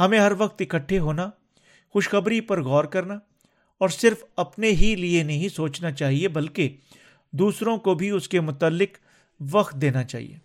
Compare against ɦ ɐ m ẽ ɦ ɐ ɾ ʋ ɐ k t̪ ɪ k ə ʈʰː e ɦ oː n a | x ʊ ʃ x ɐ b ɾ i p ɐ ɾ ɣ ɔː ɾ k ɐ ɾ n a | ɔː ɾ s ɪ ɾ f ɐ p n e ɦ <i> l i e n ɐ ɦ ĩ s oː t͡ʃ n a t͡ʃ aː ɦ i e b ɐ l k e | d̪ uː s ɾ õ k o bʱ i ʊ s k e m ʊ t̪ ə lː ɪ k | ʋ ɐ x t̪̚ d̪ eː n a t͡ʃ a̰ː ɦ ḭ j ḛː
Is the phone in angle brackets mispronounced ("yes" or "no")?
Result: no